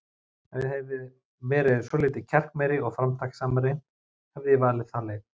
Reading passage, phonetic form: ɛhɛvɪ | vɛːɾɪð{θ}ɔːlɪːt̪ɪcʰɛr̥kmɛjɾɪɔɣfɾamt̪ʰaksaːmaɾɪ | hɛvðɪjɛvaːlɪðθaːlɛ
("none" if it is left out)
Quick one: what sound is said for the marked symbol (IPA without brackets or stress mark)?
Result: s